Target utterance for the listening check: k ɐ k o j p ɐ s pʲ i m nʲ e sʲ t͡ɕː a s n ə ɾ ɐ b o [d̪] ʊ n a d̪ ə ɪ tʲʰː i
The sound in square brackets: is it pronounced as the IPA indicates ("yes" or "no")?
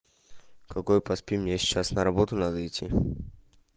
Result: no